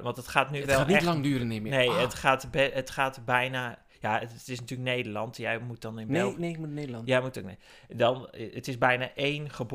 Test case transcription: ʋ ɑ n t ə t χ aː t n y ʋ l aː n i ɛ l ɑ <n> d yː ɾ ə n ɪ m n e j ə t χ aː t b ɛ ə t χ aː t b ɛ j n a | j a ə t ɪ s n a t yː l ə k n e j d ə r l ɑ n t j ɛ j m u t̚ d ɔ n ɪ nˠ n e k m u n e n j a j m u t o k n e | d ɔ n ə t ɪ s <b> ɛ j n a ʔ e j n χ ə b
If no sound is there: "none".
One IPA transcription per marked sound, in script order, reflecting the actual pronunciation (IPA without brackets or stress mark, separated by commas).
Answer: ŋ, b